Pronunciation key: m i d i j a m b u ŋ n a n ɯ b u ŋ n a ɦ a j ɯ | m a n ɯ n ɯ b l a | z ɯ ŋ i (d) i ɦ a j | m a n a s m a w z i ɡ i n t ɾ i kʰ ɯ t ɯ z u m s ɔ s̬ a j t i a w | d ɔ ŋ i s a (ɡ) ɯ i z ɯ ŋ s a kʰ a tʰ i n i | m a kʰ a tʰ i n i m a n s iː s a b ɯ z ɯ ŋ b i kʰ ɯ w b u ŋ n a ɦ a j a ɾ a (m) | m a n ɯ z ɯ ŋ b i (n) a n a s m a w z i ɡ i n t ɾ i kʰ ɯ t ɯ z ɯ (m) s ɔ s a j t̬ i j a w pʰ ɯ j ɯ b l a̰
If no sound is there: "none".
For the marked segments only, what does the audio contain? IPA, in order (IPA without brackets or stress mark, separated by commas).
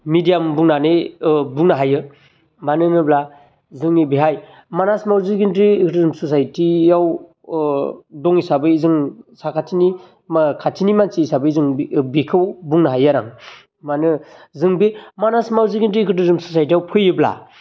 b, b, ŋ, m, m